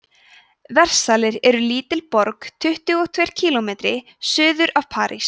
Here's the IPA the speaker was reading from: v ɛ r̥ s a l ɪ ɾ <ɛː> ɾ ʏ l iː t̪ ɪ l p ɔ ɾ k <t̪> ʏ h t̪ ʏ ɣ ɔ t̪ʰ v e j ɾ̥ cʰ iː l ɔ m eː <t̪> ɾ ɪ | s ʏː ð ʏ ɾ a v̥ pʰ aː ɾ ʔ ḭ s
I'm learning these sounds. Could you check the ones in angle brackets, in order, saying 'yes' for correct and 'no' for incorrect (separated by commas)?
no, no, yes